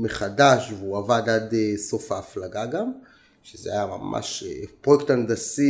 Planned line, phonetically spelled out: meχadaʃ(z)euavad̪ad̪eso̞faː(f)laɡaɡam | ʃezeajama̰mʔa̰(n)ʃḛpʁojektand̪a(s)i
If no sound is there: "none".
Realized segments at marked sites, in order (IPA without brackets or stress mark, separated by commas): v, f, none, s